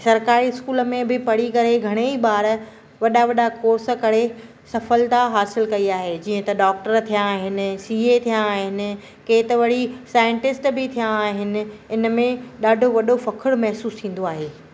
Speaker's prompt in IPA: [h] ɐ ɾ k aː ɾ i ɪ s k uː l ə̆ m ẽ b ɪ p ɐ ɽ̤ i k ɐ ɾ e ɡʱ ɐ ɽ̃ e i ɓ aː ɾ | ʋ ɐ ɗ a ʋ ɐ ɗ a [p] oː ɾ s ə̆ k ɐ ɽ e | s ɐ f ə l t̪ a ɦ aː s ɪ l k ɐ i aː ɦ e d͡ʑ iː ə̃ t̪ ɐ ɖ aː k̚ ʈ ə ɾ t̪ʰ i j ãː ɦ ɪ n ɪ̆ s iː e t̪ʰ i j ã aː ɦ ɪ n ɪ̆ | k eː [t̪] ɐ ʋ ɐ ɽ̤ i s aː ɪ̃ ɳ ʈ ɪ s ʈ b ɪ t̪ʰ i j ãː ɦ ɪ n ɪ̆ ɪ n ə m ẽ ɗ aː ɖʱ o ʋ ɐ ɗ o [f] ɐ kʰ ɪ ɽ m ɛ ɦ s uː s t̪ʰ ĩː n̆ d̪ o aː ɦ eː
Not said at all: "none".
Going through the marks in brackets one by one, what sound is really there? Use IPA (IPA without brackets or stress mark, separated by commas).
s, k, t̪, f